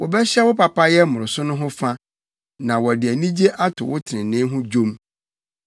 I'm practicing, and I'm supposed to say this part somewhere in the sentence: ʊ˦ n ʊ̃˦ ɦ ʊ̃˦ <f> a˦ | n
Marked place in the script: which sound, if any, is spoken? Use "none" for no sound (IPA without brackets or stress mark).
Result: f